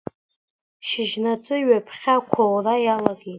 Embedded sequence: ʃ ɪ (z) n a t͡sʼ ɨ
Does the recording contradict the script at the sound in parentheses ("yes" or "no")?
yes